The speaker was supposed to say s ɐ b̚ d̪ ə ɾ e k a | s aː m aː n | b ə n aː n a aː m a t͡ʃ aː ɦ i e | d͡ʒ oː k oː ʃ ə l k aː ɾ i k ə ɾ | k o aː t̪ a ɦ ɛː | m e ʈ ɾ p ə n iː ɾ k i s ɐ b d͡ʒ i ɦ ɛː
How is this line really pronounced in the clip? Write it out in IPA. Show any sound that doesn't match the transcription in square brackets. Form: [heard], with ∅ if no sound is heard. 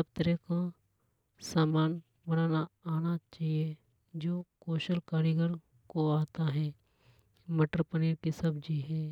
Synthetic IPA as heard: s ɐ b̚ [t̪] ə ɾ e k a | s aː m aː n | b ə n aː n a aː [n] a t͡ʃ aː ɦ i e | d͡ʒ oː k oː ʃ ə l k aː ɾ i [ɡ] ə ɾ | k o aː t̪ a ɦ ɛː | m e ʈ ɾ p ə n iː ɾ k i s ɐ b d͡ʒ i ɦ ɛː

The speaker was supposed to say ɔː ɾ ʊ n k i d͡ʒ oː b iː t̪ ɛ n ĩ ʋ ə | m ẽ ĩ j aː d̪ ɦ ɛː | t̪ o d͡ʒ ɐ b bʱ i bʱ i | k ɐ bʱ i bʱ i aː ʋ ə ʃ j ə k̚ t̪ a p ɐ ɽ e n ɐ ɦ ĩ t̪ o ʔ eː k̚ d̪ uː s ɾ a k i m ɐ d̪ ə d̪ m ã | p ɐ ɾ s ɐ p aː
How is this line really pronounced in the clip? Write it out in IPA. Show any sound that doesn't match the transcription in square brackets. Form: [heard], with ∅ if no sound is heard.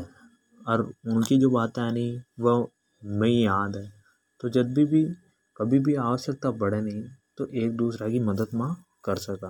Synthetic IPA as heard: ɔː ɾ ʊ n k i d͡ʒ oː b [aː] t̪ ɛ n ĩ ʋ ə | m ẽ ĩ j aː d̪ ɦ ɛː | t̪ o d͡ʒ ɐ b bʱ i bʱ i | k ɐ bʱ i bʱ i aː ʋ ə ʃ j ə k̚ t̪ a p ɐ ɽ e n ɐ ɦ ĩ t̪ o ʔ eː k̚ d̪ uː s ɾ a k i m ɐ d̪ ə d̪ m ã | [k] ɐ ɾ s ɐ [k] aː

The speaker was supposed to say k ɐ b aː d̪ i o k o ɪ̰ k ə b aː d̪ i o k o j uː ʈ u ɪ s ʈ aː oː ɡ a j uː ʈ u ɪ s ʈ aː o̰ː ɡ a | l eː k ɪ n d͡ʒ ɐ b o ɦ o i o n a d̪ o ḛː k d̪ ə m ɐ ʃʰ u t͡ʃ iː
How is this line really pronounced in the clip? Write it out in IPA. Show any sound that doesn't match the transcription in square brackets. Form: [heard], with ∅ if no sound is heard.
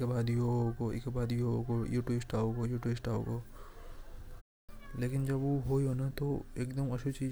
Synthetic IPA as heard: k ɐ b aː d̪ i o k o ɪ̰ k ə b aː d̪ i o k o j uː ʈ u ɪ s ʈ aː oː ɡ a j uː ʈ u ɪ s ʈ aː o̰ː ɡ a | l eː k ɪ n d͡ʒ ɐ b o ɦ o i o n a [t̪] o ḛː k d̪ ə m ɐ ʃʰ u t͡ʃ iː

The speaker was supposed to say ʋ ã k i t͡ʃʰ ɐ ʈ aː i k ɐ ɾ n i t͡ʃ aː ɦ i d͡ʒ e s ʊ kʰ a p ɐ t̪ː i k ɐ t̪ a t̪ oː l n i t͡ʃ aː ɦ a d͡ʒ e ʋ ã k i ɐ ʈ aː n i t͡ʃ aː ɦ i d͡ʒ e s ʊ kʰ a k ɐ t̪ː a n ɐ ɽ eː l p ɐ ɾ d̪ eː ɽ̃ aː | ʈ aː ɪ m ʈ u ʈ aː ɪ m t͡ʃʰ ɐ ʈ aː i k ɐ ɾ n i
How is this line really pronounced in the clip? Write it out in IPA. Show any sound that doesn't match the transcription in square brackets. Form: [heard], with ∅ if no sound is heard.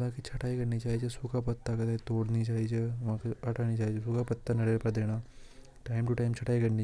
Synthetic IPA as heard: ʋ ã k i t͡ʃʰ ɐ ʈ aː i k ɐ ɾ n i t͡ʃ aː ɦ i d͡ʒ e s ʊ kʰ a p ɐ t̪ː [a] k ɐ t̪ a t̪ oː [ɽ] n i t͡ʃ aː ɦ [i] d͡ʒ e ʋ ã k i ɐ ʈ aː n i t͡ʃ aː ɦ i d͡ʒ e s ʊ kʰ a [p] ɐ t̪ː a n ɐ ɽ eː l p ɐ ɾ d̪ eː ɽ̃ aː | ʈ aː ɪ m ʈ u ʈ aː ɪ m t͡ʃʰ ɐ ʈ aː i k ɐ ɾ n i

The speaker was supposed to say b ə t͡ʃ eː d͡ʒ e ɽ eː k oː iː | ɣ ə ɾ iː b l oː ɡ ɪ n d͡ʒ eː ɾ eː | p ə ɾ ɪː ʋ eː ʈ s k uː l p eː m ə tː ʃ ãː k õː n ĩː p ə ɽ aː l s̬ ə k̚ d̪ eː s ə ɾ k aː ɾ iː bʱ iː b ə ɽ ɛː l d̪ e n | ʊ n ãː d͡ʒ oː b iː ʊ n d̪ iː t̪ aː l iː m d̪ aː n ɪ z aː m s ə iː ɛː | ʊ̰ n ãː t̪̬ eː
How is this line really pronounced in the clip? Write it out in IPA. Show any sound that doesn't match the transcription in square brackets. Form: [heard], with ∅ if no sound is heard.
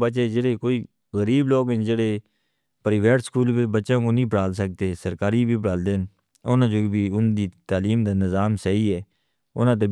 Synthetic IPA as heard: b ə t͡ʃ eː d͡ʒ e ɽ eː k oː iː | ɣ ə ɾ iː b l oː ɡ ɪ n d͡ʒ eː [ɽ] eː | p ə ɾ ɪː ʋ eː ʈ s k uː l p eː [b] ə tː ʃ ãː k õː n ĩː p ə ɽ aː l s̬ ə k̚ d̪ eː s ə ɾ k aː ɾ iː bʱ iː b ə ɽ [aː] l d̪ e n | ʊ n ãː d͡ʒ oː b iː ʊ n d̪ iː t̪ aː l iː m d̪ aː n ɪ z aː m s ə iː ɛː | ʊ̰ n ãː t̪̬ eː

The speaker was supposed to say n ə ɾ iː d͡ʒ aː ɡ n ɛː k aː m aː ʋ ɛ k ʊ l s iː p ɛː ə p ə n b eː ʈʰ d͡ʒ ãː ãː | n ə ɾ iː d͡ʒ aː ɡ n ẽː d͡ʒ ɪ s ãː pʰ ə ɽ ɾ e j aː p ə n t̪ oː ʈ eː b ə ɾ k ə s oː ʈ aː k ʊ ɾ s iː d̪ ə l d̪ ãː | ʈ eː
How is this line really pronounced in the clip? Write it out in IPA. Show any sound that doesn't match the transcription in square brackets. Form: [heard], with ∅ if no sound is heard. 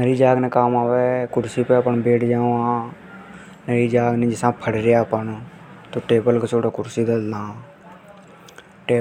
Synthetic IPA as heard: n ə ɾ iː d͡ʒ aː ɡ n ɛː k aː m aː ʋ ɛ k ʊ [ɾ] s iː p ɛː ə p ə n b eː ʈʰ d͡ʒ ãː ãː | n ə ɾ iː d͡ʒ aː ɡ n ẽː d͡ʒ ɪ s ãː pʰ ə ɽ ɾ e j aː p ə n t̪ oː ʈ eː b ə [l] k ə s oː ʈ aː k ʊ ɾ s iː d̪ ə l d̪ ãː | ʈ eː

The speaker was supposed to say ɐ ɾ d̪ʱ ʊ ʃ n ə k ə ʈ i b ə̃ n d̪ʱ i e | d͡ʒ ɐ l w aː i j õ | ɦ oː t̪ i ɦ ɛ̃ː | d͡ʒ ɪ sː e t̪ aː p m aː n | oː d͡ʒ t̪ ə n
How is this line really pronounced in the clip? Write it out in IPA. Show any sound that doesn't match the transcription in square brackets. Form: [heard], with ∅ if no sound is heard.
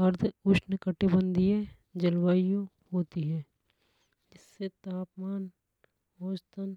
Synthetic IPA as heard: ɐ ɾ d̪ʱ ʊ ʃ n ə k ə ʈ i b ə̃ n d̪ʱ i e | d͡ʒ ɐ l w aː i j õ | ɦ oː t̪ i ɦ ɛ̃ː | d͡ʒ ɪ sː e t̪ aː p m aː n | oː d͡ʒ t̪ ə n

